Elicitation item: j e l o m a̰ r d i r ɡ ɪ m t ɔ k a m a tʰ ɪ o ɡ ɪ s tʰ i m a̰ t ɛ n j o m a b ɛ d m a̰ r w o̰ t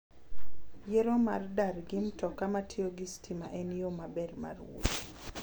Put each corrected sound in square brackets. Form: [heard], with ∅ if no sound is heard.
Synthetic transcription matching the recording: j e [ɾ] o m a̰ r d [a] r ɡ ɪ m t ɔ k a m a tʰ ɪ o ɡ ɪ s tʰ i m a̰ [ʔ] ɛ n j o m a b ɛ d m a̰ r w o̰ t